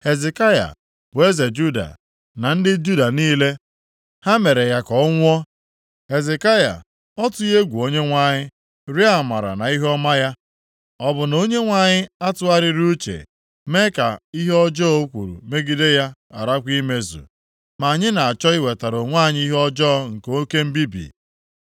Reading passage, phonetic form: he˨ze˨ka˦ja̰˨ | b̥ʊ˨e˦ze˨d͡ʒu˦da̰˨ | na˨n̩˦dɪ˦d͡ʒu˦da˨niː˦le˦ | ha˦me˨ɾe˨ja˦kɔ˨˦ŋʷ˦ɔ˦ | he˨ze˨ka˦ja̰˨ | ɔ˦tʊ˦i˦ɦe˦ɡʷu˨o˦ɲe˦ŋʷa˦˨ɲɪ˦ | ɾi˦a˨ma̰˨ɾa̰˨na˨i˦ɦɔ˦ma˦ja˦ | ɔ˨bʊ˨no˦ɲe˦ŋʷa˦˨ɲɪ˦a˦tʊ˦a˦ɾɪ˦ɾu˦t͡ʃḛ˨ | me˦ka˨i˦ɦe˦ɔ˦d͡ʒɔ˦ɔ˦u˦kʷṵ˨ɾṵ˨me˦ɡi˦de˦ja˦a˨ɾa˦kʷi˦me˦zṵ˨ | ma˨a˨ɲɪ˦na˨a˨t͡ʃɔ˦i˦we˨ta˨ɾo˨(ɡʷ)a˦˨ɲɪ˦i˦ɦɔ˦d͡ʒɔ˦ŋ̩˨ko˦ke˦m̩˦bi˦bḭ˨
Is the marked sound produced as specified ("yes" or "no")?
no